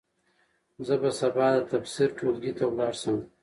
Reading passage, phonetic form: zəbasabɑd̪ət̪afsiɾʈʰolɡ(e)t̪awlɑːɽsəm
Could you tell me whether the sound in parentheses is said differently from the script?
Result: yes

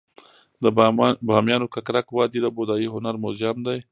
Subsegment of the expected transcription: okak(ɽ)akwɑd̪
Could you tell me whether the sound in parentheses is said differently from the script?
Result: yes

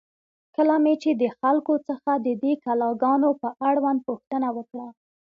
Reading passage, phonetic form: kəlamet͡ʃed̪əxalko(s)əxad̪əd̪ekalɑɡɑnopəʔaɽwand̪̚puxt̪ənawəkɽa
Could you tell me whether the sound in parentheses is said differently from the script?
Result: yes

